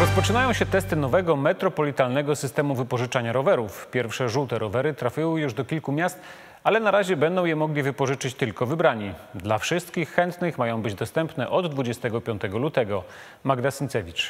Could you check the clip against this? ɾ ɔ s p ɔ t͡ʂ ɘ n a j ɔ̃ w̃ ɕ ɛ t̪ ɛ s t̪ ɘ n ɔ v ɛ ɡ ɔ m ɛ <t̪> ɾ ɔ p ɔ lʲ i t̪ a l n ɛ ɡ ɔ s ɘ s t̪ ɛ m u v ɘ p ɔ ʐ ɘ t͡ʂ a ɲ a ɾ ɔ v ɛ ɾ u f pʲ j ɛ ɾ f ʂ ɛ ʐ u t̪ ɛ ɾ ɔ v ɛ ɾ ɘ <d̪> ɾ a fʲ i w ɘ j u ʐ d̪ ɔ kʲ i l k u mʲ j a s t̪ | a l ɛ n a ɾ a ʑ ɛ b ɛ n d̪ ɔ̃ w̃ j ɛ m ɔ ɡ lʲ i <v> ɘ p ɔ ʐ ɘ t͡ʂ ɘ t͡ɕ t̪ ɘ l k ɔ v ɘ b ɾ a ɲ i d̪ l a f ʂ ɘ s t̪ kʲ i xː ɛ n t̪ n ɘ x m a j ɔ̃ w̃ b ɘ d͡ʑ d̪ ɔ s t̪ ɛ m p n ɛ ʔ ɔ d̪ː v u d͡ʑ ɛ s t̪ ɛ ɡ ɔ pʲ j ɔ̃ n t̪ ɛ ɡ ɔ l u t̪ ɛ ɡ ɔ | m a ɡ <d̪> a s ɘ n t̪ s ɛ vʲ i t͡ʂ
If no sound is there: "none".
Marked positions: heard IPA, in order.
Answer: t̪, t̪, v, d̪

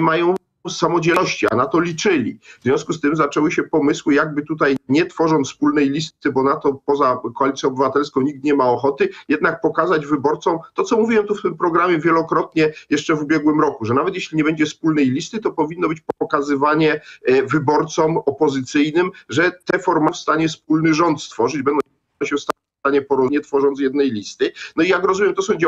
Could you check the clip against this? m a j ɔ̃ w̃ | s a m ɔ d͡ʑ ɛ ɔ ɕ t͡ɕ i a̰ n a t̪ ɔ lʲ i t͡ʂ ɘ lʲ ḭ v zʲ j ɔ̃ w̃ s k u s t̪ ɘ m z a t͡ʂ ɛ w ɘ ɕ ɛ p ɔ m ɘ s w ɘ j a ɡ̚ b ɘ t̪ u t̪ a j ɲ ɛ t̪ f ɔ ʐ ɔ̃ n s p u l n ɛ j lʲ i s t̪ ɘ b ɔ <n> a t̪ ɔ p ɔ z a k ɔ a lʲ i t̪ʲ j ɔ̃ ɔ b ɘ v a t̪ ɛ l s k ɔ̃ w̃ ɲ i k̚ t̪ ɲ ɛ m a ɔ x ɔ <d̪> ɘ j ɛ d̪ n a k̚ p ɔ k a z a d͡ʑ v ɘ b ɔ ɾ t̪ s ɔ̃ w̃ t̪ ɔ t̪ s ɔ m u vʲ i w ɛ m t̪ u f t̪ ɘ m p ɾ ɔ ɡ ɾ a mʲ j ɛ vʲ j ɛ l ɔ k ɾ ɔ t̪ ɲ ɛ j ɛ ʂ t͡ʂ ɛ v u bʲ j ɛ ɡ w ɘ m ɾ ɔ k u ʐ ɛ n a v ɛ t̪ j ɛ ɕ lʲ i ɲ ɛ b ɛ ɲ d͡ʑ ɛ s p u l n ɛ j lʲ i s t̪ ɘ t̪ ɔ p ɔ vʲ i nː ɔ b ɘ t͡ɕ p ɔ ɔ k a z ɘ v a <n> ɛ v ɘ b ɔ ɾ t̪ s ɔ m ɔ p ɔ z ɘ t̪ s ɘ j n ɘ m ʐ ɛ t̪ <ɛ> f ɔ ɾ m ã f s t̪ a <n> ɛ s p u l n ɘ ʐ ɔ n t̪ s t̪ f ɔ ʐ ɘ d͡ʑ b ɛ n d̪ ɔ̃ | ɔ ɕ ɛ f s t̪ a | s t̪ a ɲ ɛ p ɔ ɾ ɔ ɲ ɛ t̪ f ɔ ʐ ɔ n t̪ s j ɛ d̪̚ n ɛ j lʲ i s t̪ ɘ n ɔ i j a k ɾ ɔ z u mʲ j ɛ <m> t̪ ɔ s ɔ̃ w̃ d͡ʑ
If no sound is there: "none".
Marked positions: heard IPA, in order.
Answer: n, t̪, ɲ, ɛ, ɲ, m

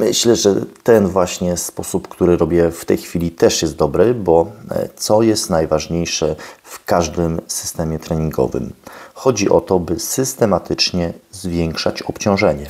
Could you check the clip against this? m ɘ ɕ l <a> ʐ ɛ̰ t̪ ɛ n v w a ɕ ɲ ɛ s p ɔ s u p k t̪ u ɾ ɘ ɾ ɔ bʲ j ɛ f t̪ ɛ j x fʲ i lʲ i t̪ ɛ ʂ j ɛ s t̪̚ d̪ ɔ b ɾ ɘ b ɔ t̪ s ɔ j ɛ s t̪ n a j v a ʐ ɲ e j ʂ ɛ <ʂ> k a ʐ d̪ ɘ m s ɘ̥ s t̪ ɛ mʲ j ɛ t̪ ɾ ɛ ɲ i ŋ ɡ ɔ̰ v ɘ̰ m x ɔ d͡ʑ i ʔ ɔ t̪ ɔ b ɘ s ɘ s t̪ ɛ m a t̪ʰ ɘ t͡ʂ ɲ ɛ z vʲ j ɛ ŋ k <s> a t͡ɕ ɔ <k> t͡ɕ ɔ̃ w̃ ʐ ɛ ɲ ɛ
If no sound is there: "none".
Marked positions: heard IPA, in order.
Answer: ɛ, f, ʂ, p

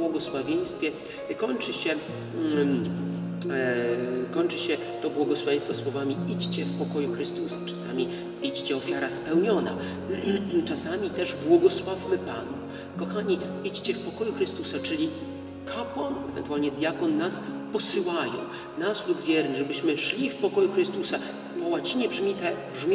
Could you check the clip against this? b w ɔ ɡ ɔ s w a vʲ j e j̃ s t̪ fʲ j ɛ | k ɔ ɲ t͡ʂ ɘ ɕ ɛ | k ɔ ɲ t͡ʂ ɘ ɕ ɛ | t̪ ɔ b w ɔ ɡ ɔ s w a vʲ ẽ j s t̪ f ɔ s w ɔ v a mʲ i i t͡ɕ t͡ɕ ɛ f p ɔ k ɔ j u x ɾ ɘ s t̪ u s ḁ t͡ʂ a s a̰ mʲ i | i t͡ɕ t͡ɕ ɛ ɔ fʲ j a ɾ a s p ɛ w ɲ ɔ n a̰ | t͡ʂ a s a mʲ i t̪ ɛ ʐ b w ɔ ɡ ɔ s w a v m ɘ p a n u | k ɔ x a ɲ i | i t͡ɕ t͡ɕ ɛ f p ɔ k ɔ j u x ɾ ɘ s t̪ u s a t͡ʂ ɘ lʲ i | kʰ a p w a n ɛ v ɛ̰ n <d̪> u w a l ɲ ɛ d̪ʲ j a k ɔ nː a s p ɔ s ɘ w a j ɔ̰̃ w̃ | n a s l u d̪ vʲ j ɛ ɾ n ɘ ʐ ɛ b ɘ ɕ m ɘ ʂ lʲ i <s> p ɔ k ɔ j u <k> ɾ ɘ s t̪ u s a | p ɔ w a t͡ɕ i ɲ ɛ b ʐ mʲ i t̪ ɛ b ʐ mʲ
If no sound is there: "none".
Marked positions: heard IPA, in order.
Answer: t̪, f, x

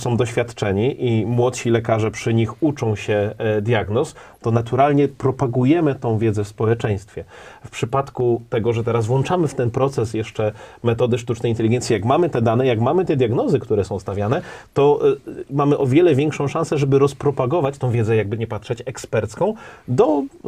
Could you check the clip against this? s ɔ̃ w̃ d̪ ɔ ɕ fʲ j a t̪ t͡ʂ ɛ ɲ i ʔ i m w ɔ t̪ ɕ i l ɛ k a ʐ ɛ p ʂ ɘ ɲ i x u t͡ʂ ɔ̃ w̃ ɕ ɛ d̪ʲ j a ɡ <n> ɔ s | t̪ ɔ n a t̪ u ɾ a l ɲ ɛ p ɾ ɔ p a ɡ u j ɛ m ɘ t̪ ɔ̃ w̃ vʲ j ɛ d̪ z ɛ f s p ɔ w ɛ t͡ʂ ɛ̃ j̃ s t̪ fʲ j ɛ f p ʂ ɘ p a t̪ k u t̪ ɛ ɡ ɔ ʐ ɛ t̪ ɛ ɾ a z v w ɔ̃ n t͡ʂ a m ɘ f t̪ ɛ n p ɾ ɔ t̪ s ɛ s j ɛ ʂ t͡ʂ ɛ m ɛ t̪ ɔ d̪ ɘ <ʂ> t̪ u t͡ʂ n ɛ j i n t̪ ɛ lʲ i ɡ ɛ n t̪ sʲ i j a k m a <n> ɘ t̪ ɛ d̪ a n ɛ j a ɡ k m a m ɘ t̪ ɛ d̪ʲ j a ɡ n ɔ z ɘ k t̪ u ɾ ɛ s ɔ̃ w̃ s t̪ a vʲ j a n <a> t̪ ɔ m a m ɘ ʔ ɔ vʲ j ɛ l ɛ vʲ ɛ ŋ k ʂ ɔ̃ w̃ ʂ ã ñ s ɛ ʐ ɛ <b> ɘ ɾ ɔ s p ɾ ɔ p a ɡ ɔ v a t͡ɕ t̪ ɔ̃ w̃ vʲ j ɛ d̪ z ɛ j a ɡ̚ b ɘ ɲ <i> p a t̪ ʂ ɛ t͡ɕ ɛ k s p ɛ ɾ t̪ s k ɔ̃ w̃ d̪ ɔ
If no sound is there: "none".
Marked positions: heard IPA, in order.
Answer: n, ʂ, m, ɛ, b, ɛ

